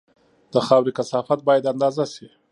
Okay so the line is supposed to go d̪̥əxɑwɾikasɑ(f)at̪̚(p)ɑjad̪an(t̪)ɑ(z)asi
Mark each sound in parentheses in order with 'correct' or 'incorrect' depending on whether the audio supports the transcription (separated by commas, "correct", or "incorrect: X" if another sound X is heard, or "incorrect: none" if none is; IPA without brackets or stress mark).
correct, incorrect: b, incorrect: d̪, correct